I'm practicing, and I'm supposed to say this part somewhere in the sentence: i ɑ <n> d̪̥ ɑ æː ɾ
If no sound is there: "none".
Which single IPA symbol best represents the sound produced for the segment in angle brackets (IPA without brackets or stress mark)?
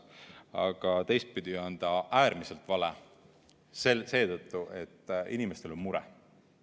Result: n